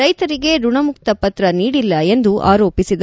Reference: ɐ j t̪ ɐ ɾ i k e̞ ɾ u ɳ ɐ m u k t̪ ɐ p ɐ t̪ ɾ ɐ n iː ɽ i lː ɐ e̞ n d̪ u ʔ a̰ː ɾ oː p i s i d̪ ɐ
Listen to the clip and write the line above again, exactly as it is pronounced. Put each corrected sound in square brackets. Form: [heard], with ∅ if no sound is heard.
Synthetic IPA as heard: ɐ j t̪ ɐ ɾ i [ɡ] e̞ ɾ u ɳ ɐ m u k t̪ ɐ p ɐ t̪ ɾ ɐ n iː ɽ i lː ɐ e̞ n d̪ u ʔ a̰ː ɾ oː p i s i d̪ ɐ

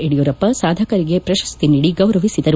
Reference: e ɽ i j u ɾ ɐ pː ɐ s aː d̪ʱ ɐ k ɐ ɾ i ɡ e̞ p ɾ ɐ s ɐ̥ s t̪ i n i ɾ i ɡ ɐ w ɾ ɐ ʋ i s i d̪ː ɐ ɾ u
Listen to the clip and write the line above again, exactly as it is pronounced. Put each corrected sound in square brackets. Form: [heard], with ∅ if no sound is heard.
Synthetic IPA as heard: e ɽ i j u ɾ ɐ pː ɐ s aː d̪ʱ ɐ k ɐ ɾ i ɡ e̞ p ɾ ɐ [ʃ] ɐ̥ s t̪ i n i [ɽ] i ɡ ɐ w ɾ ɐ ʋ i s i [d̪] ɐ ɾ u

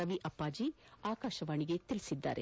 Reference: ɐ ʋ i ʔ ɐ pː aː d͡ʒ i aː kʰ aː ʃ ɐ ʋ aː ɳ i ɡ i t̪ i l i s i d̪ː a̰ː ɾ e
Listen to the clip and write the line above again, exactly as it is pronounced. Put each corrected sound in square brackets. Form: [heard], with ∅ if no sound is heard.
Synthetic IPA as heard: ɐ ʋ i ʔ ɐ pː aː d͡ʒ i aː [k] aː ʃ ɐ ʋ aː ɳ i ɡ [e] t̪ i l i s i d̪ː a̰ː ɾ e

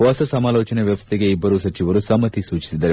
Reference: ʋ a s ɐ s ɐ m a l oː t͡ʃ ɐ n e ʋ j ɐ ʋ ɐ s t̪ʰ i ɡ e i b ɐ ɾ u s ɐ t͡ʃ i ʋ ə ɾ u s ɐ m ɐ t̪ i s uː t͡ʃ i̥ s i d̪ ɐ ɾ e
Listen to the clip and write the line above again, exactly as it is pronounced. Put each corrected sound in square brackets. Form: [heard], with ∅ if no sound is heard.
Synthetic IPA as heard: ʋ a s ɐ s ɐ m a l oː t͡ʃ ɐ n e ʋ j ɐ ʋ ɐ s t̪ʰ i ɡ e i b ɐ ɾ u s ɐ t͡ʃ i ʋ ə ɾ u s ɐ m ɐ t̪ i s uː t͡ʃ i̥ s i d̪ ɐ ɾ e

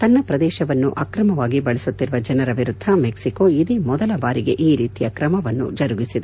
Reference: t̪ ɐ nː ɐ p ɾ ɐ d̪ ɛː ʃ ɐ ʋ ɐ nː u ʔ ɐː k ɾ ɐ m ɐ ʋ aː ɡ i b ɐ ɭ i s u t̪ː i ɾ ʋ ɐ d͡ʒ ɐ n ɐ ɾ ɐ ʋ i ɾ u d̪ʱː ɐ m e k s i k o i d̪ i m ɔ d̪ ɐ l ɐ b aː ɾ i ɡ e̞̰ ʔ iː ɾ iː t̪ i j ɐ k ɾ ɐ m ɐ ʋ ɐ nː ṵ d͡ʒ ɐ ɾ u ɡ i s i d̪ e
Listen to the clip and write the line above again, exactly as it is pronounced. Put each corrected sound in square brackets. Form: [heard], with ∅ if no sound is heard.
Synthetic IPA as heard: t̪ ɐ nː ɐ p ɾ ɐ d̪ ɛː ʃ ɐ ʋ ɐ nː u ʔ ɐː k ɾ ɐ m ɐ ʋ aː ɡ i b ɐ ɭ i s u t̪ː i ɾ ʋ ɐ d͡ʒ ɐ n ɐ ɾ ɐ ʋ i ɾ u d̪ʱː ɐ m e k s i k o i d̪ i m ɔ d̪ ɐ l ɐ b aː ɾ i ɡ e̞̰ ʔ iː ɾ iː t̪ i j ɐ k ɾ ɐ m ɐ ʋ ɐ nː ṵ d͡ʒ ɐ ɾ u ɡ i s i d̪ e

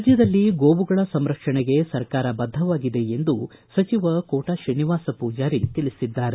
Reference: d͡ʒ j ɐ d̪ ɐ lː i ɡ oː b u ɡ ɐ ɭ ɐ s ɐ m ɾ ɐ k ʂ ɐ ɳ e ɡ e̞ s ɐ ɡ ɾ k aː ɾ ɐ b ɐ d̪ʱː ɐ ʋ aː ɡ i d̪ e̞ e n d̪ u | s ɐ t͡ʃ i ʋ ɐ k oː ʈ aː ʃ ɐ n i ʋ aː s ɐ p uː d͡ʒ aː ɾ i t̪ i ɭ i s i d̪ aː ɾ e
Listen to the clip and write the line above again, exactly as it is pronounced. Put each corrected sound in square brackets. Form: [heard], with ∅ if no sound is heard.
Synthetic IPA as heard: d͡ʒ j ɐ d̪ ɐ lː i ɡ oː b u ɡ ɐ ɭ ɐ s ɐ m ɾ ɐ k ʂ ɐ ɳ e ɡ e̞ s ɐ [∅] ɾ k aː ɾ ɐ b ɐ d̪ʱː ɐ ʋ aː ɡ i d̪ e̞ e n d̪ u | s ɐ t͡ʃ i ʋ ɐ k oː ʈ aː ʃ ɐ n i ʋ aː s ɐ p uː d͡ʒ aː ɾ i t̪ i ɭ i s i [d̪ː] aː ɾ e

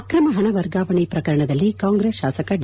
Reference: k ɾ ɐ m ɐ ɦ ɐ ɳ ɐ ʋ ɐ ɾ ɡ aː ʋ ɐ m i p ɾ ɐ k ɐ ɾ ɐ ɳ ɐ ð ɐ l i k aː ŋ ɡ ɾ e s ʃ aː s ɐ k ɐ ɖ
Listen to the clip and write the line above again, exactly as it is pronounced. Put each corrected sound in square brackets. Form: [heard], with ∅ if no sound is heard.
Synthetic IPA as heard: k ɾ ɐ m ɐ ɦ ɐ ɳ ɐ ʋ ɐ ɾ ɡ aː ʋ ɐ [ɳ] i p ɾ ɐ k ɐ ɾ ɐ ɳ ɐ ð ɐ [lː] i k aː ŋ ɡ ɾ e s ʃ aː s ɐ k ɐ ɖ

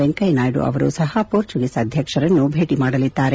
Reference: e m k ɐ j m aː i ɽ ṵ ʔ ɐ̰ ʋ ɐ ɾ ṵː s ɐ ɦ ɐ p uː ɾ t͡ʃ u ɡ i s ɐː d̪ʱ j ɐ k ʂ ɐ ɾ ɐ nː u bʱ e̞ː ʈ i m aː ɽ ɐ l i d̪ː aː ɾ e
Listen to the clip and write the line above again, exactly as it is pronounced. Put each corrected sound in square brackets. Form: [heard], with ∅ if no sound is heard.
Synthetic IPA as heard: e [ŋ] k ɐ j [n] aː [j] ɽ ṵ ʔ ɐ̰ ʋ ɐ ɾ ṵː s ɐ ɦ ɐ p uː ɾ t͡ʃ u ɡ i s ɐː d̪ʱ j ɐ k ʂ ɐ ɾ ɐ nː u bʱ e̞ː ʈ i m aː ɽ ɐ l i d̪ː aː ɾ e

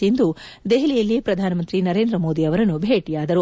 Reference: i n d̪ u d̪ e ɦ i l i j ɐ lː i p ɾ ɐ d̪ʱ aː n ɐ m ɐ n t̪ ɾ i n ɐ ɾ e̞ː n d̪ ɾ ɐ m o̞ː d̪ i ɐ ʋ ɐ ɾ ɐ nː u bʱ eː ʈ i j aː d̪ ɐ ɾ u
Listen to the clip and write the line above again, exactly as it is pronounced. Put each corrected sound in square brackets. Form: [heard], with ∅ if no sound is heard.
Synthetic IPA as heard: i n d̪ u d̪ e ɦ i l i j ɐ lː i p ɾ ɐ d̪ʱ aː n ɐ m ɐ n t̪ ɾ i n ɐ ɾ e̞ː n d̪ ɾ ɐ m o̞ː d̪ i ɐ ʋ ɐ ɾ ɐ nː u bʱ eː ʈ i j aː d̪ ɐ ɾ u

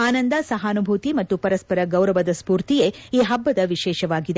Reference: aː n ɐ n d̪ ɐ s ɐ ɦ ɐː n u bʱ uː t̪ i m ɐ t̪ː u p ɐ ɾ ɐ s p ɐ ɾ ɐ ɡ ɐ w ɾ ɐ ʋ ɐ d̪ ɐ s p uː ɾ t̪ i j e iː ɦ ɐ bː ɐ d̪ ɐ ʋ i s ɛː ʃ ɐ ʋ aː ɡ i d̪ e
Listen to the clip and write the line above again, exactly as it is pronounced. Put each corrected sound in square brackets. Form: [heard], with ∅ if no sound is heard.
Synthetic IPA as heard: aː n ɐ n d̪ ɐ s ɐ ɦ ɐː n u bʱ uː t̪ i m ɐ t̪ː u p ɐ ɾ ɐ s p ɐ ɾ ɐ ɡ ɐ w ɾ ɐ ʋ ɐ d̪ ɐ s p uː ɾ t̪ i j e iː ɦ ɐ bː ɐ d̪ ɐ ʋ i [ʃ] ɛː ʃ ɐ ʋ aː ɡ i d̪ e

